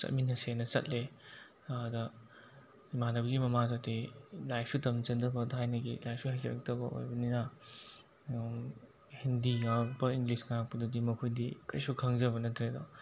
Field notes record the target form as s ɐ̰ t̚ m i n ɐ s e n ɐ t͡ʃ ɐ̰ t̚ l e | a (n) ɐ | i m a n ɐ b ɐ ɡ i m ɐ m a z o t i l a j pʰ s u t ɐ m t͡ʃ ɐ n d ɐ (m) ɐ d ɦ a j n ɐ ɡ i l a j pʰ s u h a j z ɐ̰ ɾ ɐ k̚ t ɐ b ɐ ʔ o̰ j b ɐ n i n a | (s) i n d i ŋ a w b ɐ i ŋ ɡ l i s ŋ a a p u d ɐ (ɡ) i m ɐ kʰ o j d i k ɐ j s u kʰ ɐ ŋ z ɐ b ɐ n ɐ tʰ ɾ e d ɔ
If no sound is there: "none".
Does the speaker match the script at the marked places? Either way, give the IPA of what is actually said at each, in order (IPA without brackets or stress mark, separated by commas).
d, b, h, d